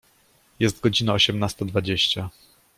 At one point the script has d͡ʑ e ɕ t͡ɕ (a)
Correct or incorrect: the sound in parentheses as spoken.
correct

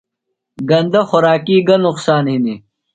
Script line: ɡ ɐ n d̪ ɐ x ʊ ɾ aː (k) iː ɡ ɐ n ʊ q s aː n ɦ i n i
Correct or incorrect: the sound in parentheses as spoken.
correct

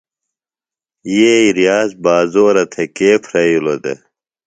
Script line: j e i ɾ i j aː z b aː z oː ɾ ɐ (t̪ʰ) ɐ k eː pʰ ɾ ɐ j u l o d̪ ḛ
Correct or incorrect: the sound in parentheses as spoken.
correct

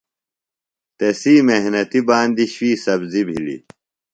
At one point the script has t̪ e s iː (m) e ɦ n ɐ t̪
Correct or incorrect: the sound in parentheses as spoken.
correct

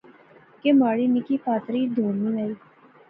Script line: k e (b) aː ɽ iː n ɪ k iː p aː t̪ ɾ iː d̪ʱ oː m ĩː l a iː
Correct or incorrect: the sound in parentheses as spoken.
incorrect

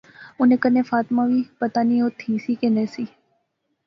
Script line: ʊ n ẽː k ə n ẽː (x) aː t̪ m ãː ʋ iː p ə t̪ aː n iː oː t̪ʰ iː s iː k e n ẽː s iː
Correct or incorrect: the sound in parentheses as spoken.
incorrect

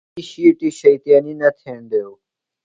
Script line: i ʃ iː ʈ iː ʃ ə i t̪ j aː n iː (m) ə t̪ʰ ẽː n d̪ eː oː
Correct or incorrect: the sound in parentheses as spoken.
incorrect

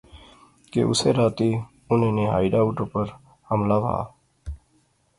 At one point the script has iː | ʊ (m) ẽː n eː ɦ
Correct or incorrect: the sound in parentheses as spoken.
incorrect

